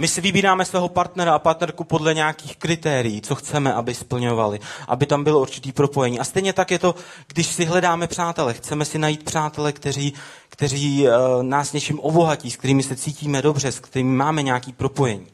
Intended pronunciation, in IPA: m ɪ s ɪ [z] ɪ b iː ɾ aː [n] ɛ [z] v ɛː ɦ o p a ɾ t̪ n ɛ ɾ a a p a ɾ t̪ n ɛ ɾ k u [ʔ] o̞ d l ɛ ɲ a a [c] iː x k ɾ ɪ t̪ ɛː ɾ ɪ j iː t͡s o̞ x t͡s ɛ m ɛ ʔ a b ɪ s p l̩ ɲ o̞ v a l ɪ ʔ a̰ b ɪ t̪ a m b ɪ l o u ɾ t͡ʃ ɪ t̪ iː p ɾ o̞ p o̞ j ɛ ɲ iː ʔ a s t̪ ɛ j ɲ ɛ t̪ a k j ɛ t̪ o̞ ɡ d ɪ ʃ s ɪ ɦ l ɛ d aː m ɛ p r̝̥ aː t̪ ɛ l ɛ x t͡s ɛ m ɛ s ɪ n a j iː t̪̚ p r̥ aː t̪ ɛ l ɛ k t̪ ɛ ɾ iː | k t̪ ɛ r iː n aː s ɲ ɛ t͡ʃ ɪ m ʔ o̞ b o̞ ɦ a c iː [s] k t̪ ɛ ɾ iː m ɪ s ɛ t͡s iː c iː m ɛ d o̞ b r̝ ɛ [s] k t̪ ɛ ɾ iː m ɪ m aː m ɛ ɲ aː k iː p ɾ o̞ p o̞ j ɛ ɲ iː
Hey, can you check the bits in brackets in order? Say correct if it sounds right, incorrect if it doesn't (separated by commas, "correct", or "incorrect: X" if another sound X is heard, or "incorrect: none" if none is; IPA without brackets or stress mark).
incorrect: v, incorrect: m, incorrect: s, incorrect: p, incorrect: k, correct, correct